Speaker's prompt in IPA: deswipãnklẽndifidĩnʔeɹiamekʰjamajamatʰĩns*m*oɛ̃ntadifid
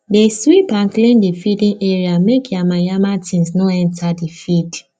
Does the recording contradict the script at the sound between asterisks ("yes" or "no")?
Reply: yes